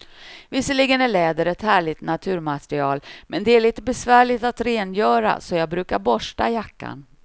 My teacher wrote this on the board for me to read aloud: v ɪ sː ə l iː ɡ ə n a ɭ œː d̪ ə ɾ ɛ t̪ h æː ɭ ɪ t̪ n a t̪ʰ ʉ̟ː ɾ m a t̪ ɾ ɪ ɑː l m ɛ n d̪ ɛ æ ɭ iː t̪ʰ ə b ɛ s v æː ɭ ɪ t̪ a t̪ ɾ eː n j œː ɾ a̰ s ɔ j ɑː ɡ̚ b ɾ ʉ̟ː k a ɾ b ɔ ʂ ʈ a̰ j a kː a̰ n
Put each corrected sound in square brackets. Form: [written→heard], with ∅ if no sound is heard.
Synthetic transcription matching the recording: v ɪ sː ə l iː ɡ ə n [a→æ] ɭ [œː→ɛː] d̪ ə ɾ ɛ t̪ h æː ɭ ɪ t̪ n a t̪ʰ ʉ̟ː ɾ m a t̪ ɾ ɪ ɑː l m ɛ n d̪ ɛ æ ɭ iː [t̪ʰ→t̪] ə b ɛ s v æː ɭ ɪ t̪ a t̪ ɾ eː n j œː ɾ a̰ s ɔ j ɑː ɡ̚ b ɾ ʉ̟ː k a ɾ b ɔ ʂ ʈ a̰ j a kː a̰ n

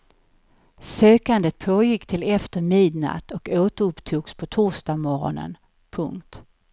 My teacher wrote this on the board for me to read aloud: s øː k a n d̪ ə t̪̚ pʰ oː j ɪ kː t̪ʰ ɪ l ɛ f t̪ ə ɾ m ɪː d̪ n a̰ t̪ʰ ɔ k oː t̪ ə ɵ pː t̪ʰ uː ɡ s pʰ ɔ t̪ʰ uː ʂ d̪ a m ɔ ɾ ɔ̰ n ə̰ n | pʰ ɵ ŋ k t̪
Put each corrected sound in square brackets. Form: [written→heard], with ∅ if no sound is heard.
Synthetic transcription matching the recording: s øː k a n d̪ ə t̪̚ pʰ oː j ɪ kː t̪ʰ ɪ l ɛ f t̪ ə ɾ m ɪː d̪ n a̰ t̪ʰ ɔ k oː t̪ ə ɵ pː t̪ʰ uː ɡ s pʰ ɔ t̪ʰ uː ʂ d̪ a m ɔ ɾ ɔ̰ n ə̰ n | pʰ ɵ ŋ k t̪

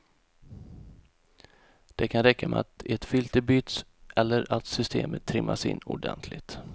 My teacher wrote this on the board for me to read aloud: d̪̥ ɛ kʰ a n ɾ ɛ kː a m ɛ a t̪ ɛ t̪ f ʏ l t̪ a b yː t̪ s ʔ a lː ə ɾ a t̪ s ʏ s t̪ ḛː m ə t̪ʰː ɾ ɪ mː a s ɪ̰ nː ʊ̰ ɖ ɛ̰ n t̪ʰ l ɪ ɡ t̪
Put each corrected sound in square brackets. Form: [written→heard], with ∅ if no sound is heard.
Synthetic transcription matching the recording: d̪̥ ɛ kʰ a n ɾ ɛ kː a m ɛ a t̪ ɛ t̪ f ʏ l t̪ [a→ə] b yː t̪ s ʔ [a→ɛ] lː ə ɾ a t̪ s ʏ s t̪ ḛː m ə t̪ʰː ɾ ɪ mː a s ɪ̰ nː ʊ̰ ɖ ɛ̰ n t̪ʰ l ɪ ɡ t̪

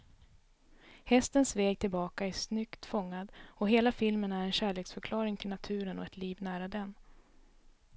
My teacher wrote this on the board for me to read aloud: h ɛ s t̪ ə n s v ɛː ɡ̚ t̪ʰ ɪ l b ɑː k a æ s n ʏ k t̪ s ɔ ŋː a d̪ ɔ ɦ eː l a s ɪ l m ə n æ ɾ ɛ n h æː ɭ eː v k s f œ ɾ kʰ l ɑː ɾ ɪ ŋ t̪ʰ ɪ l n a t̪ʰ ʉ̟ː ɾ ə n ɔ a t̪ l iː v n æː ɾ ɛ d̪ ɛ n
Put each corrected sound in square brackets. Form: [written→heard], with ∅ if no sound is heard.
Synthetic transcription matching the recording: h ɛ s t̪ ə n s v ɛː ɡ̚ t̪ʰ ɪ l b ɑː k a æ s n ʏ k t̪ [s→f] ɔ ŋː a d̪ ɔ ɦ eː l a [s→f] ɪ l m ə n æ ɾ ɛ n [h→ɕ] æː ɭ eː [v→∅] k s f œ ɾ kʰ l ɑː ɾ ɪ ŋ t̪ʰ ɪ l n a t̪ʰ ʉ̟ː ɾ ə n ɔ [a→ɛ] t̪ l iː v n æː ɾ [ɛ→a] d̪ ɛ n

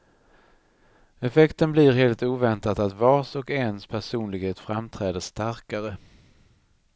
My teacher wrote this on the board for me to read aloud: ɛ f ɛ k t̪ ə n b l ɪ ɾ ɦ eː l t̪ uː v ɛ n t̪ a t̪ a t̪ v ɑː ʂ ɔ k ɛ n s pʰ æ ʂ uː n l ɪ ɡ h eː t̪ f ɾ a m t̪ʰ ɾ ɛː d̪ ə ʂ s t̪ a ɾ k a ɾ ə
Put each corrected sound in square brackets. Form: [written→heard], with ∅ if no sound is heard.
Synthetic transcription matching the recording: ɛ f ɛ k t̪ ə n b l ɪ ɾ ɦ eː l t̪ uː v ɛ n t̪ a t̪ a t̪ v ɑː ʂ ɔ k ɛ n s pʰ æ ʂ uː n l ɪ ɡ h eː t̪ f ɾ a m t̪ʰ ɾ ɛː d̪ ə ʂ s t̪ a ɾ k a ɾ ə

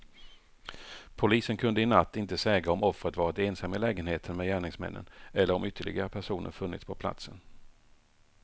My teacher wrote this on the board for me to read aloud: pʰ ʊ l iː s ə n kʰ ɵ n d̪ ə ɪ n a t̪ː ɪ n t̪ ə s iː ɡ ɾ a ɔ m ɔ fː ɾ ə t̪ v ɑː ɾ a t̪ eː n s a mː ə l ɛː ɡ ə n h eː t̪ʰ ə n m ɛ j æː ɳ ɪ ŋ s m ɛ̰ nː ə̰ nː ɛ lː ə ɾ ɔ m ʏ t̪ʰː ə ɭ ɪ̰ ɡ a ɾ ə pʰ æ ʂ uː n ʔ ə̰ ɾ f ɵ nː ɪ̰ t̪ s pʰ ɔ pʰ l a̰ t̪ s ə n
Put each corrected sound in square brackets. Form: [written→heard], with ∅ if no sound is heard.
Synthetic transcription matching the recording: pʰ ʊ l iː s ə n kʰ ɵ n d̪ ə ɪ n a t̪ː ɪ n t̪ ə s [iː→ɛː] ɡ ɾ a ɔ m ɔ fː ɾ ə t̪ v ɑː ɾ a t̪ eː n s a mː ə l ɛː ɡ ə n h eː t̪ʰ ə n m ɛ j æː ɳ ɪ ŋ s m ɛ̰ nː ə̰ [nː→n] ɛ lː ə ɾ ɔ m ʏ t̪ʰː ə ɭ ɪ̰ ɡ a ɾ ə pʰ æ ʂ uː n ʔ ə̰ ɾ f ɵ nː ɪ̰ t̪ s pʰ ɔ pʰ l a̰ t̪ s ə n

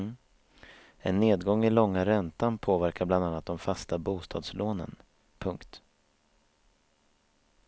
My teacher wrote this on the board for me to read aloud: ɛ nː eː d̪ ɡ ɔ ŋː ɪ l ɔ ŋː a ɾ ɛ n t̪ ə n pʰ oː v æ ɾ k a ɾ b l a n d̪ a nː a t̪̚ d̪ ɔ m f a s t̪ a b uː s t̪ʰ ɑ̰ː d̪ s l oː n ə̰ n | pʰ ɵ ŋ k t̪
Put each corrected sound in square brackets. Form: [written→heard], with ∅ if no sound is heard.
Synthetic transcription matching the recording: ɛ nː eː d̪ ɡ ɔ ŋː ɪ l ɔ ŋː a ɾ ɛ n t̪ [ə→a] n pʰ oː v æ ɾ k a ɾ b l a n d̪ a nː a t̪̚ d̪ ɔ m f a s t̪ a b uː s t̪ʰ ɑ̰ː d̪ s l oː n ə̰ n | pʰ ɵ ŋ k t̪

